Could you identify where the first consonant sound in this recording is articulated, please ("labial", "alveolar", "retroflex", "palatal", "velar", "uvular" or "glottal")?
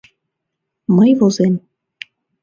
labial